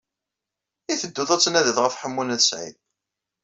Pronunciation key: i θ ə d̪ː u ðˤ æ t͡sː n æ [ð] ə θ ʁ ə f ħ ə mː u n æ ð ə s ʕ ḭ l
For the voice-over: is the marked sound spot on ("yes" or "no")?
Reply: yes